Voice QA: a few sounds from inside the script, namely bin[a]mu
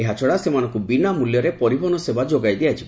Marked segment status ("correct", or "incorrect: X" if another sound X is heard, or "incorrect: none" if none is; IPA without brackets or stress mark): correct